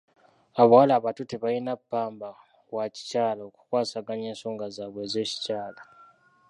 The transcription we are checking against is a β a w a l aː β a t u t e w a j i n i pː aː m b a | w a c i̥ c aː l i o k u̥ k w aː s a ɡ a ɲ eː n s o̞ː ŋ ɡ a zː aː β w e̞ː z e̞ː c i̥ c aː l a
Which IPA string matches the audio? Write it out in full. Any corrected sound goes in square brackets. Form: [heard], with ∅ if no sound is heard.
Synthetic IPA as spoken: a β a w a l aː β a t u t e [β] a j i n [a] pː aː m b a | w a c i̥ c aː l [a] o k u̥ k w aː s a ɡ a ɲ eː n s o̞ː ŋ ɡ a [z] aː β w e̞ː z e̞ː c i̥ c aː l a